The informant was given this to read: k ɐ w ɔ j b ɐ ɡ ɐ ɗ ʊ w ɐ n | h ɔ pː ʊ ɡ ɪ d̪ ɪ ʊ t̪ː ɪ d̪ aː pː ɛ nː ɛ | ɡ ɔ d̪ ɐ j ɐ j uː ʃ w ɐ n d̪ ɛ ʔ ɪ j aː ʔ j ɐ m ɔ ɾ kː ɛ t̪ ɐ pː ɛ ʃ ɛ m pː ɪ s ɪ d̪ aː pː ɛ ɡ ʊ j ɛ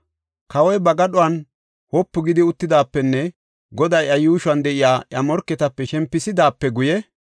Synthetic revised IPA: k ɐ w ɔ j b ɐ ɡ ɐ ɗ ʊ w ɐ n | h ɔ pː ʊ ɡ ɪ d̪ ɪ ʊ t̪ː ɪ d̪ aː pː ɛ nː ɛ | ɡ ɔ d̪ ɐ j ɐ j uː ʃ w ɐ n d̪ ɛ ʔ ɪ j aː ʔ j ɐ m ɔ ɾ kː ɛ t̪ ɐ pː ɛ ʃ ɛ m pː ɪ s ɪ d̪ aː pː ɛ ɡ ʊ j ɛ